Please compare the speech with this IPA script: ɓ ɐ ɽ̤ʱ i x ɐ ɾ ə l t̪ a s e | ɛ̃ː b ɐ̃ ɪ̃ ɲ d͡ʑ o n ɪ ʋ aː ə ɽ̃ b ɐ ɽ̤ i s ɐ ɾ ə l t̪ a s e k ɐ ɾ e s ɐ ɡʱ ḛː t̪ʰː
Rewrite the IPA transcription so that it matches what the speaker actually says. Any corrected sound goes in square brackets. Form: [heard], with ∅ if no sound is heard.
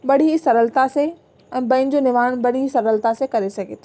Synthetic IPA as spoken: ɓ ɐ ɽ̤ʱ i [s] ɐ ɾ ə l t̪ a s e | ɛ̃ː b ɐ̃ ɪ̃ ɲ d͡ʑ o n ɪ ʋ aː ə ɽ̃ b ɐ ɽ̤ i s ɐ ɾ ə l t̪ a s e k ɐ ɾ e s ɐ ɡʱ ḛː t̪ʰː